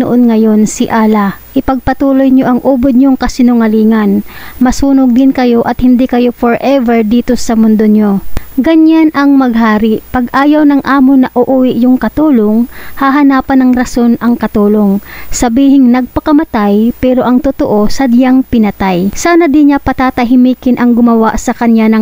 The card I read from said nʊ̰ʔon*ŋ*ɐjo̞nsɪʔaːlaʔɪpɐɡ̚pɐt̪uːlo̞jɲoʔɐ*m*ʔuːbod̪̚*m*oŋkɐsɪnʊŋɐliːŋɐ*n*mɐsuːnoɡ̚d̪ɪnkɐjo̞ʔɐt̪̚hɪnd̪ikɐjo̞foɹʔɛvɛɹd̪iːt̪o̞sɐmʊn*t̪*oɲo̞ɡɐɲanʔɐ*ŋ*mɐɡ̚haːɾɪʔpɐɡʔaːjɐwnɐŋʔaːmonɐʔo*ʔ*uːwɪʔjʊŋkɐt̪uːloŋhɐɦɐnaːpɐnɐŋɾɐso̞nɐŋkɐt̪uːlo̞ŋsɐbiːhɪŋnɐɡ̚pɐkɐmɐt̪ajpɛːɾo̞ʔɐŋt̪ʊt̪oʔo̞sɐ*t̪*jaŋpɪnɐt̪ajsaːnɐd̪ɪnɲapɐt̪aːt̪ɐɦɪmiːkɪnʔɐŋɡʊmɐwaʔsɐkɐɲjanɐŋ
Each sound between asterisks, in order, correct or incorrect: correct, incorrect, incorrect, correct, incorrect, correct, correct, incorrect

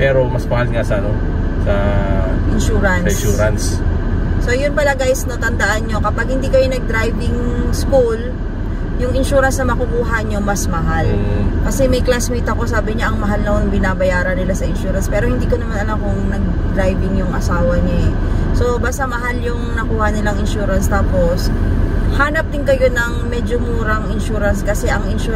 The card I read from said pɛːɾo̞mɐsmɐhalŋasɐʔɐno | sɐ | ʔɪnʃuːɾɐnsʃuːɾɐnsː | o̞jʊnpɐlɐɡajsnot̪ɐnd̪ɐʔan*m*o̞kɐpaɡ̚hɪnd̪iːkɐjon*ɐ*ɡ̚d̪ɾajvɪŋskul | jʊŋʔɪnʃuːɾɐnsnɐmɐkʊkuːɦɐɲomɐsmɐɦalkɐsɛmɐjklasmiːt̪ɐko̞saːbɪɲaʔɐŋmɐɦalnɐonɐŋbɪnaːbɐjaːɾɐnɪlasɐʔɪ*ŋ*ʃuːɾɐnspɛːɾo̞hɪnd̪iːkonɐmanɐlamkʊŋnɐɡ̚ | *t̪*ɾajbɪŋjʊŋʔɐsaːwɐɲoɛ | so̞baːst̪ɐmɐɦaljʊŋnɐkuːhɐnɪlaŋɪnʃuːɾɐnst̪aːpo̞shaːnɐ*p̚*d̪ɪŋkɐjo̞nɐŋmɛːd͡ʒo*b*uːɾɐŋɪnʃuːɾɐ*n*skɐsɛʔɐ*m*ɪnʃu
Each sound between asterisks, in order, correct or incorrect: incorrect, correct, incorrect, incorrect, correct, incorrect, correct, incorrect

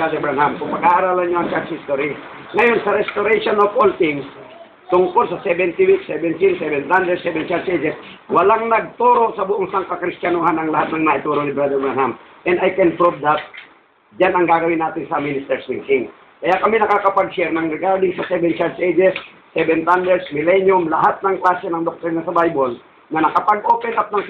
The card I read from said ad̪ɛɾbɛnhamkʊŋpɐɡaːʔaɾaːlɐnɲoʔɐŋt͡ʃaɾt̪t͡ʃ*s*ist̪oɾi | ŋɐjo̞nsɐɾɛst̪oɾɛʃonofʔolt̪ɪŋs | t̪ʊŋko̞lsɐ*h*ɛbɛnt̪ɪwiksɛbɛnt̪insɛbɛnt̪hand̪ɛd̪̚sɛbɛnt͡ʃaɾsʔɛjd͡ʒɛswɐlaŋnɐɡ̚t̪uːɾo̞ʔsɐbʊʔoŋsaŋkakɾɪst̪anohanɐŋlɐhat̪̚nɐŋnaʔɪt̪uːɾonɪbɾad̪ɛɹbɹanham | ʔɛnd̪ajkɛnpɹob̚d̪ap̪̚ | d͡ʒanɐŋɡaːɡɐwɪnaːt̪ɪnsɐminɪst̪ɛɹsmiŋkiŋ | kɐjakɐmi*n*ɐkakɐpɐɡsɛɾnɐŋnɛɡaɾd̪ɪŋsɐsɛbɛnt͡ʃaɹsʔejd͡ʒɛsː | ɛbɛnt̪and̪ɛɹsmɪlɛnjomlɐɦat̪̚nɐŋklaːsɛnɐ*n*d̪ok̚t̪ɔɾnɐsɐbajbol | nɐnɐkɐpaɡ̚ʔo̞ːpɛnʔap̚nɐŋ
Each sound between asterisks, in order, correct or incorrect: incorrect, incorrect, correct, incorrect

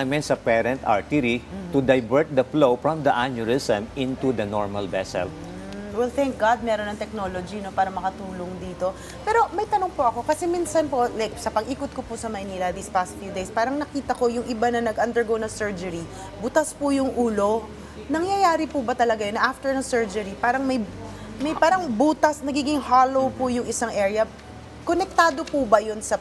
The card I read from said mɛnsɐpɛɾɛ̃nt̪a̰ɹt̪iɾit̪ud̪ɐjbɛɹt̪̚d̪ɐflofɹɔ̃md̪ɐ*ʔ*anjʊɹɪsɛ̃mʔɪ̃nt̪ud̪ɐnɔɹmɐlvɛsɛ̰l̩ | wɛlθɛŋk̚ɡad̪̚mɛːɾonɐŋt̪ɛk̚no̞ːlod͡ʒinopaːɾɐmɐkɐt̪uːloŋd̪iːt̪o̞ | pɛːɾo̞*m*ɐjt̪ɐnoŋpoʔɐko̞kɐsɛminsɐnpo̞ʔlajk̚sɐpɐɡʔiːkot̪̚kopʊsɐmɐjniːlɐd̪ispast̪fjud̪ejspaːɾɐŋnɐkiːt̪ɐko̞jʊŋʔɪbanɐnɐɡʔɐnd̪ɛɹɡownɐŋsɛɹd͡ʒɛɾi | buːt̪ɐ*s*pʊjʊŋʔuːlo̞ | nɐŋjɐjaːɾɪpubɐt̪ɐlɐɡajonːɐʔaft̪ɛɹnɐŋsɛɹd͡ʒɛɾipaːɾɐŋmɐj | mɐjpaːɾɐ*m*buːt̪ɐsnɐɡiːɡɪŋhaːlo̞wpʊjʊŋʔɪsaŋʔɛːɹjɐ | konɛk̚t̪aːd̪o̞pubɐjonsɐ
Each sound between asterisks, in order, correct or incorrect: correct, correct, correct, incorrect

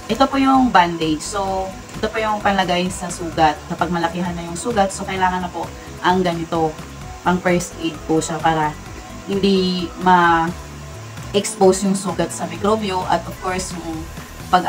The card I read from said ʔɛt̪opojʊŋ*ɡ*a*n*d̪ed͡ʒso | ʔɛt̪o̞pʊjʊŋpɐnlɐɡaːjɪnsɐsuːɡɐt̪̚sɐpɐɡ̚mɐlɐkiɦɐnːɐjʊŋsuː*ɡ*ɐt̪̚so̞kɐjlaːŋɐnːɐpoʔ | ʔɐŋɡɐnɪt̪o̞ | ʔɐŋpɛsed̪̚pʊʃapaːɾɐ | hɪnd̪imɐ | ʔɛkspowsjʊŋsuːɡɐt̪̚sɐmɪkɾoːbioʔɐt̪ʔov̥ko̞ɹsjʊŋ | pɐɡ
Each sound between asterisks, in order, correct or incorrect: incorrect, correct, correct

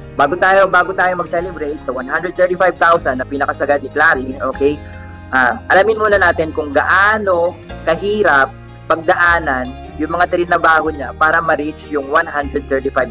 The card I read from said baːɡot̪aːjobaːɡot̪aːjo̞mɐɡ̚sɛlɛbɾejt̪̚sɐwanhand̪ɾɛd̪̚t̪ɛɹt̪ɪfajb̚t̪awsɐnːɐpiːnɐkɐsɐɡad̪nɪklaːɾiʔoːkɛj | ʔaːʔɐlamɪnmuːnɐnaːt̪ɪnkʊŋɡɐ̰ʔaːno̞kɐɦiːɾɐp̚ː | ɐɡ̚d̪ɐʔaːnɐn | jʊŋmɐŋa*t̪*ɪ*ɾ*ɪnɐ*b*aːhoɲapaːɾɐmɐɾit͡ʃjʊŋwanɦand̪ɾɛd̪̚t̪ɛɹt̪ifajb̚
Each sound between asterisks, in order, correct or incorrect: correct, correct, correct

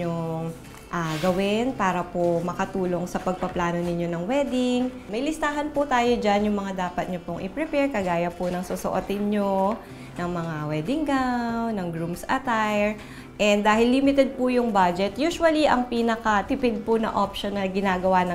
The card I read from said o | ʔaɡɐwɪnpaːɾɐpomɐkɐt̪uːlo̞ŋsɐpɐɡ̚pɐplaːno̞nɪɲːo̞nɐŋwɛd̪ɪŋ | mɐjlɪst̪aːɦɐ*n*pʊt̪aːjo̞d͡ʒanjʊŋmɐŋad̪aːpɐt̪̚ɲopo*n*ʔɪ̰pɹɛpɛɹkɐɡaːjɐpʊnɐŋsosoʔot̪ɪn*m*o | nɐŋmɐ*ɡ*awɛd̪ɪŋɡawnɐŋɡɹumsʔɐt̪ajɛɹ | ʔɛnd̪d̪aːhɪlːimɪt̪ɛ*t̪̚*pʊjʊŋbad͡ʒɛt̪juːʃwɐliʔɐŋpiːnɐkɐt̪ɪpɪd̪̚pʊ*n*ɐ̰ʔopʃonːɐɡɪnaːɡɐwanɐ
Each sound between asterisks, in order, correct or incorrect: correct, incorrect, incorrect, incorrect, incorrect, correct

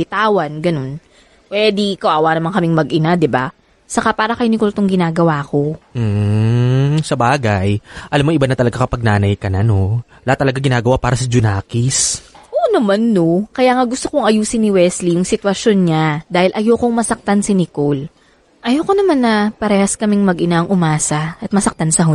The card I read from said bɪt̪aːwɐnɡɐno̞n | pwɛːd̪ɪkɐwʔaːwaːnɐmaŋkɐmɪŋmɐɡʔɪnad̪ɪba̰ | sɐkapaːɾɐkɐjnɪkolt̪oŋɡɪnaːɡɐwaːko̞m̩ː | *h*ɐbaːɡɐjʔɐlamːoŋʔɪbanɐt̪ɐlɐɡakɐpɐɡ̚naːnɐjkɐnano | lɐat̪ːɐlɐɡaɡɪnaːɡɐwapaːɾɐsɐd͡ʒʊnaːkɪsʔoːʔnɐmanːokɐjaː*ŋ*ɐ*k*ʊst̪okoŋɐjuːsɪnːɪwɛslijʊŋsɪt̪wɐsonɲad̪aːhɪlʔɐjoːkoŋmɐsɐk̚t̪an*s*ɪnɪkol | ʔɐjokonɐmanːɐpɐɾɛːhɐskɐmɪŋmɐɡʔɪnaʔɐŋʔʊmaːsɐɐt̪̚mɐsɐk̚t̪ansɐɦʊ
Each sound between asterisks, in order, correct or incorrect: incorrect, correct, incorrect, correct

